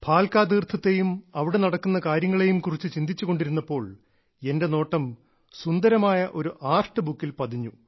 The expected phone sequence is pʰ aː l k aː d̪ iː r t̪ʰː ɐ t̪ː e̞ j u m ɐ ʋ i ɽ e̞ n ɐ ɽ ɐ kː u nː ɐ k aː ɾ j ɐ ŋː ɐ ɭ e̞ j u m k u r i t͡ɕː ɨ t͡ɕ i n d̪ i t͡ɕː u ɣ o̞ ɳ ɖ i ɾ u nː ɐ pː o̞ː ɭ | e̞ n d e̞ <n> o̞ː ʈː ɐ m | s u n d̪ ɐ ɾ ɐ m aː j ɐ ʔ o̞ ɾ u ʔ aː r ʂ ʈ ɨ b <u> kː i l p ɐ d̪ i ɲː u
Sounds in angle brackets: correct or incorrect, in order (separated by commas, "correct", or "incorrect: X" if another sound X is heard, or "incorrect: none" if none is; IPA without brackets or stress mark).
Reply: correct, correct